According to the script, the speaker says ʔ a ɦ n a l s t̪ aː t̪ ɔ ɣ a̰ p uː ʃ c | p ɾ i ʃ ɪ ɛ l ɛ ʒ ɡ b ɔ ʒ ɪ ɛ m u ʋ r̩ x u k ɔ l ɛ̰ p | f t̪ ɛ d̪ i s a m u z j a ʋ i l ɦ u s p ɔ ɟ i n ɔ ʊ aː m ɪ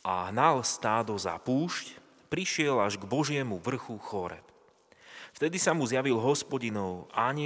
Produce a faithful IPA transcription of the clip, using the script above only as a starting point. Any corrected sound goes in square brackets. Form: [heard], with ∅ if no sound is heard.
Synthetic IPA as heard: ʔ a ɦ n a l s t̪ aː [d̪] ɔ [z] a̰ p uː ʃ c | p ɾ i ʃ ɪ ɛ l [a] ʒ ɡ b ɔ ʒ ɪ ɛ m u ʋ r̩ x u [x] ɔ [ɾ] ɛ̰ p | f t̪ ɛ d̪ i s a m u z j a ʋ i l ɦ [ɔ] s p ɔ ɟ i n ɔ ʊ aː [ɲ] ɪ